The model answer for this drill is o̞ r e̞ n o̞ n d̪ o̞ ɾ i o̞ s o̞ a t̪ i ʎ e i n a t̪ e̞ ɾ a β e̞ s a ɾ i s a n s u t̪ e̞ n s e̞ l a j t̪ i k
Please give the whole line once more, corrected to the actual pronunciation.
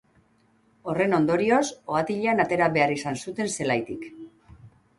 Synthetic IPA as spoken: o̞ r e̞ n o̞ n d̪ o̞ ɾ i o̞ s o̞ a t̪ i ʎ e a n a t̪ e̞ ɾ a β e̞ a ɾ i s a n s u t̪ e̞ n s e̞ l a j t̪ i k